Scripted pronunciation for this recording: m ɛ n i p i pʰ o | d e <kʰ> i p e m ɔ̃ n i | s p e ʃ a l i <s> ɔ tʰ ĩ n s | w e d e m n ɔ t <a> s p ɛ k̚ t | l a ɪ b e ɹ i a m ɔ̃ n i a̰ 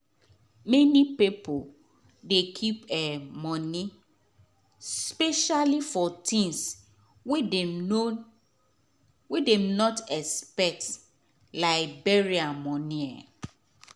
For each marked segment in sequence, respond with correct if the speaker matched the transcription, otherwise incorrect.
correct, incorrect: f, incorrect: ɛ

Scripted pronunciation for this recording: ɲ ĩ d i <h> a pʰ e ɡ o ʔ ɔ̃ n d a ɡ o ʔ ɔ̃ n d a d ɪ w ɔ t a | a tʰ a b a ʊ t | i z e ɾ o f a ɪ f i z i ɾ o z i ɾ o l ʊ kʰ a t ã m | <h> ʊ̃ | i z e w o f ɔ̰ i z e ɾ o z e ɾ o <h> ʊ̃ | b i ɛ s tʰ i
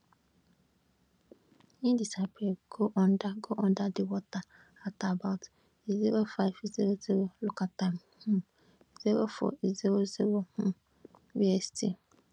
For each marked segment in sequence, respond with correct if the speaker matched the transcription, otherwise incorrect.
incorrect: s, correct, correct

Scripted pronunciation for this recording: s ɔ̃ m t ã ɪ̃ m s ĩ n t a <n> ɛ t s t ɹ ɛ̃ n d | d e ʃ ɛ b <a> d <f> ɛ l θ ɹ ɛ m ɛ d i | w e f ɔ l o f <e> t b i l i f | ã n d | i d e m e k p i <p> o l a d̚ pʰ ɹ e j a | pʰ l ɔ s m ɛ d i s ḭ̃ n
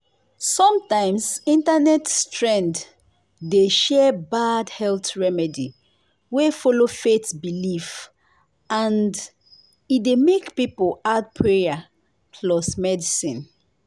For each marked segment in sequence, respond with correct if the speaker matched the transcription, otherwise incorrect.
correct, correct, incorrect: h, correct, correct

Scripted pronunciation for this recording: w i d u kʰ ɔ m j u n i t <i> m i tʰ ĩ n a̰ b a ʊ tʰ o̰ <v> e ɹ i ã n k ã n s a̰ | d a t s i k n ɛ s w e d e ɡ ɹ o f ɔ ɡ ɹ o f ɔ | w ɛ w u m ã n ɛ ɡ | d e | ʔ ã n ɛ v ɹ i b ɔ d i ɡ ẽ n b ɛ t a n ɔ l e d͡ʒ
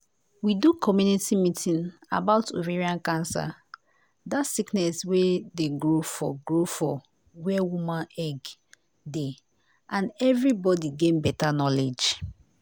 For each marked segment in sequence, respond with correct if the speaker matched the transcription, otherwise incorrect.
correct, correct

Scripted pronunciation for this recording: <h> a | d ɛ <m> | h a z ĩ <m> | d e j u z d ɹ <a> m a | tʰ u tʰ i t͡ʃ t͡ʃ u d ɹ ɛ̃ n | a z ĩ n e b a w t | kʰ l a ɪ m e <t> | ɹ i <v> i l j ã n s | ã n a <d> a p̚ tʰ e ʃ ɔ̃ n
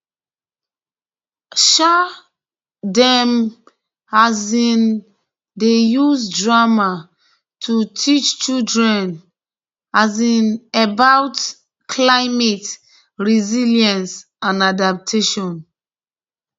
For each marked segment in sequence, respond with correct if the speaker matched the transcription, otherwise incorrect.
incorrect: ʃ, correct, incorrect: n, correct, correct, incorrect: z, correct

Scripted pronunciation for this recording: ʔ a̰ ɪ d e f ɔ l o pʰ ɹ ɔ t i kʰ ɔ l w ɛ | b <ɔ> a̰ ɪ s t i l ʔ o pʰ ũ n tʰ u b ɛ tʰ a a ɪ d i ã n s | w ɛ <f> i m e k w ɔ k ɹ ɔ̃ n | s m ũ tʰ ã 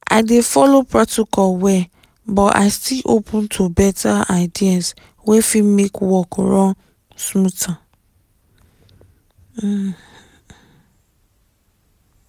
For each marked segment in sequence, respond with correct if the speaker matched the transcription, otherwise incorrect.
correct, correct

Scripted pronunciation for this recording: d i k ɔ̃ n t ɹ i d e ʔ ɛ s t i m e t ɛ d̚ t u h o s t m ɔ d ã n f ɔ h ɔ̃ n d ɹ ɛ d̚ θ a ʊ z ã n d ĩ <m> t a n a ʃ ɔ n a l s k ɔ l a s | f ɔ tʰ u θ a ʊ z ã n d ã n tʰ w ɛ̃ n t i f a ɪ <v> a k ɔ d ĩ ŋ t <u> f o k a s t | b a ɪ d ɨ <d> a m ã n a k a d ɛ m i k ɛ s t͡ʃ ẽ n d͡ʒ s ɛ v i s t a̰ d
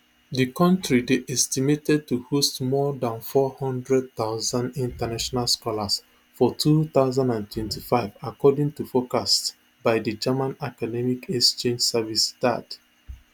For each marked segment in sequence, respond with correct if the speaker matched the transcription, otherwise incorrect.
incorrect: n, correct, correct, incorrect: d͡ʒ

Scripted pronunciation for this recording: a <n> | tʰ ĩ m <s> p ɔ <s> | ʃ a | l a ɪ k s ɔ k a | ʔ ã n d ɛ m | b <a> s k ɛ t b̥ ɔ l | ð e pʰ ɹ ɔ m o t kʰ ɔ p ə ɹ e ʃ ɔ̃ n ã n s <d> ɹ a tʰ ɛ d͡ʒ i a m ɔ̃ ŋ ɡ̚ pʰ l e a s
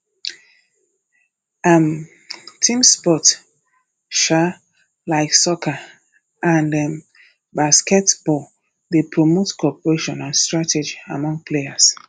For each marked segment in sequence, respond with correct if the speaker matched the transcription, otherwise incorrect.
incorrect: m, correct, incorrect: t, correct, incorrect: t

